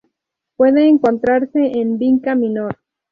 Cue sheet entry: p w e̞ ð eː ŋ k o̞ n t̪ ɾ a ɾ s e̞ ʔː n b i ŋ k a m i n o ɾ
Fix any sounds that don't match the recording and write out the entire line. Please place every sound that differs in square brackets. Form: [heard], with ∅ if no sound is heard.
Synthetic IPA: p w e̞ ð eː ŋ k o̞ n t̪ ɾ a ɾ s e̞ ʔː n b i ŋ k a m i n o ɾ